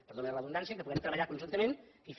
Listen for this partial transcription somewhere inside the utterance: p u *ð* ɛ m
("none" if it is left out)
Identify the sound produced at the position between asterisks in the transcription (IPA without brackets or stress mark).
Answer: ɣ